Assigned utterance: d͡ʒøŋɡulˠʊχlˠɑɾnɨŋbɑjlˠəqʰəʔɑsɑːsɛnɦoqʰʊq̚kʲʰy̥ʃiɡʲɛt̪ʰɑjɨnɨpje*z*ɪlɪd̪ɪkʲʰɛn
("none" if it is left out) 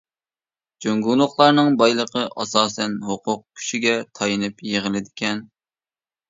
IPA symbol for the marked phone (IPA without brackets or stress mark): ʁ